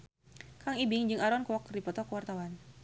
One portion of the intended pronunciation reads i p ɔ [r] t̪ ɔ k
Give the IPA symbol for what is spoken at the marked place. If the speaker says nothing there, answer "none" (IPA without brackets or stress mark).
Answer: none